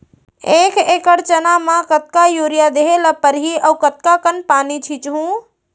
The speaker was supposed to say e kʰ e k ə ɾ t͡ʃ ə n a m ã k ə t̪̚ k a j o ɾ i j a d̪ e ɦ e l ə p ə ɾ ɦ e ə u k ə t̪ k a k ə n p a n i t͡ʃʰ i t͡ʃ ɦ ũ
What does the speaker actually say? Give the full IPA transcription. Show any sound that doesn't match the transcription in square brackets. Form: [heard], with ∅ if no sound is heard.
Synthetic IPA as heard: e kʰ e k ə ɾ t͡ʃ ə n a m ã k ə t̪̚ k a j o ɾ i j a d̪ e ɦ e l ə p ə ɾ ɦ [i] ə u k ə t̪ k a k ə n p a n i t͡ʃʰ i t͡ʃ ɦ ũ